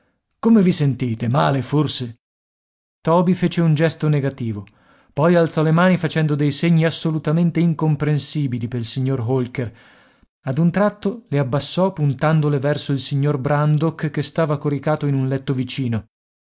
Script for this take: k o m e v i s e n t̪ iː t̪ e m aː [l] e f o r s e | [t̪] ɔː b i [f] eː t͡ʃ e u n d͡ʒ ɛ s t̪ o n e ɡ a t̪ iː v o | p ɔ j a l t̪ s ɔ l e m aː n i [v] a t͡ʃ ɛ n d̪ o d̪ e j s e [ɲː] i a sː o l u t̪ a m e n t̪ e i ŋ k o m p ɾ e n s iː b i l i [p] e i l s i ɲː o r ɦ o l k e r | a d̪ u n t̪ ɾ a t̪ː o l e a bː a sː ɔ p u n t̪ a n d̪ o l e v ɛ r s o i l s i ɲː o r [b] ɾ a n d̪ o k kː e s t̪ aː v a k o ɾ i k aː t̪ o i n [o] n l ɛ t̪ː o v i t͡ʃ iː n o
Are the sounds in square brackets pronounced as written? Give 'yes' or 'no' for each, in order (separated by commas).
yes, yes, yes, no, yes, yes, yes, no